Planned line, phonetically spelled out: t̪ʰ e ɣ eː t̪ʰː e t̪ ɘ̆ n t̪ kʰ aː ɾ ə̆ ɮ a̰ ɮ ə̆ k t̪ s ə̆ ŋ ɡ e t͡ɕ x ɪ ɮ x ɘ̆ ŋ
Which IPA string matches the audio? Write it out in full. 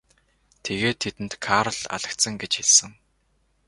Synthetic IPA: t̪ʰ e ɣ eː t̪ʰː e t̪ ɘ̆ n t̪ kʰ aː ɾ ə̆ ɮ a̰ ɮ ə̆ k t̪ s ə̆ ŋ ɡ e t͡ɕ x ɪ ɮ s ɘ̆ ŋ